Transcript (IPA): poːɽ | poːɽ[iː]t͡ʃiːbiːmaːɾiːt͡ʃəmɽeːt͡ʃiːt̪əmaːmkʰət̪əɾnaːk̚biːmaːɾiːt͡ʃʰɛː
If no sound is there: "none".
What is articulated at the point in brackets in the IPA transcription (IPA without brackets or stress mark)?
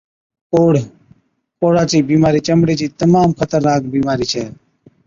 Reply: aː